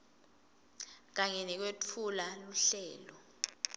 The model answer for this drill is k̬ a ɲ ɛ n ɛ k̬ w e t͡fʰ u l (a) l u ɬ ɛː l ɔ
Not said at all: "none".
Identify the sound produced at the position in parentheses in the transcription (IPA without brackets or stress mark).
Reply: a